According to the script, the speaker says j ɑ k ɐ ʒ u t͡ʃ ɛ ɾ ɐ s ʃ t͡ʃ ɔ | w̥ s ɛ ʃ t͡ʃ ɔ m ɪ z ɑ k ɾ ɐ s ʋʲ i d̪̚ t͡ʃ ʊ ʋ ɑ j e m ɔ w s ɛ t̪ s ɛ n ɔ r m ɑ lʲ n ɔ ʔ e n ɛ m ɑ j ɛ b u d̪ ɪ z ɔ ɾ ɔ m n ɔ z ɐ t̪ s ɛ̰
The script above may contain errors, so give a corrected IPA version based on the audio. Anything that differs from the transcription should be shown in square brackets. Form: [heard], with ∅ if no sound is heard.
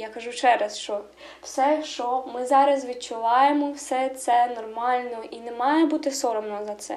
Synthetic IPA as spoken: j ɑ k ɐ ʒ u t͡ʃ ɛ ɾ ɐ s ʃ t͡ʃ ɔ | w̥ s ɛ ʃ t͡ʃ ɔ m ɪ z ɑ [∅] ɾ ɐ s ʋʲ i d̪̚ t͡ʃ ʊ ʋ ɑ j e m ɔ w s ɛ t̪ s ɛ n ɔ r m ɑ lʲ n ɔ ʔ [i] n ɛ m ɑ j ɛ b u [t̪] ɪ [s] ɔ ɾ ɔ m n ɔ z ɐ t̪ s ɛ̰